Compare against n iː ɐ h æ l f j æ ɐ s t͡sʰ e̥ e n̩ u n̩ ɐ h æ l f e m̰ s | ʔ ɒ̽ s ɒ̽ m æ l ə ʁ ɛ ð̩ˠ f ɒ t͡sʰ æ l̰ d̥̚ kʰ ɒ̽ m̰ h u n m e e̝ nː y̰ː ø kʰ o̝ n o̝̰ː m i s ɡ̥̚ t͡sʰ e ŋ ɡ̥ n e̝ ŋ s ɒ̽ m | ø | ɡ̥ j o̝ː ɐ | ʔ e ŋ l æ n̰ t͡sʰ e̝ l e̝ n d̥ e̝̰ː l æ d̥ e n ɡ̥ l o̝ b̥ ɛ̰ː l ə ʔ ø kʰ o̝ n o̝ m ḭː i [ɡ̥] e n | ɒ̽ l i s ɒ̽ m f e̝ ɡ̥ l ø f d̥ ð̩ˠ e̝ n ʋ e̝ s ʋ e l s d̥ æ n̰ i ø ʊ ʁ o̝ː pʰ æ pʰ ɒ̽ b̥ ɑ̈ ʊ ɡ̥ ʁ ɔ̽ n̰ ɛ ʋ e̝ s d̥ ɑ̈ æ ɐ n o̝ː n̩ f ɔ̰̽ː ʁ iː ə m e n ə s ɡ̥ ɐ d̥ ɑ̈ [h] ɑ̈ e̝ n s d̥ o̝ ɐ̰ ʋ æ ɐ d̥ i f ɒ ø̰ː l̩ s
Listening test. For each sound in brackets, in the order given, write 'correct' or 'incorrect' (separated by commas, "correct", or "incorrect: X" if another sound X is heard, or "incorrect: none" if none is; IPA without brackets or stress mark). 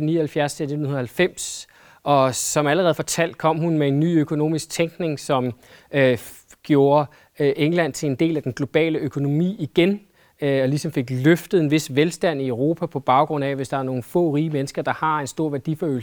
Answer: correct, correct